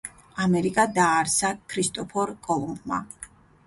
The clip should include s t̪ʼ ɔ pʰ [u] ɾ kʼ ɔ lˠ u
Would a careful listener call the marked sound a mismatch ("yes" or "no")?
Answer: yes